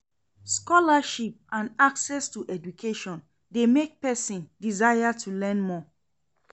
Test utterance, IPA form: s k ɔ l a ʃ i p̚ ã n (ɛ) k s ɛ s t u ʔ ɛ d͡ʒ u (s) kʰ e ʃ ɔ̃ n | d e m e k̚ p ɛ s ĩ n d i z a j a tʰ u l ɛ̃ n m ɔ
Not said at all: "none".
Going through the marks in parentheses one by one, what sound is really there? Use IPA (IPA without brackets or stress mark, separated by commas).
a, none